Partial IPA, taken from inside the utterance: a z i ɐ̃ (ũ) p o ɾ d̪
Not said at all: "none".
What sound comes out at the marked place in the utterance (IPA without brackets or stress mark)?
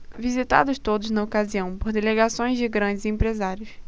w̃